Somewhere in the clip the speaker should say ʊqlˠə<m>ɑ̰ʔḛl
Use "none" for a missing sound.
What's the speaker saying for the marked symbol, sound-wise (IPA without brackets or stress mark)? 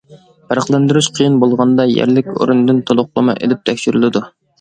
m